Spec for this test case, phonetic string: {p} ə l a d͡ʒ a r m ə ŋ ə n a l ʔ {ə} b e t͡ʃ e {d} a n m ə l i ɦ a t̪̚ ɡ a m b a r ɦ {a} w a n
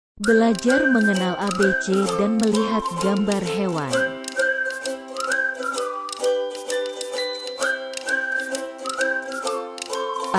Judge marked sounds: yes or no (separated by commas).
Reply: no, no, yes, no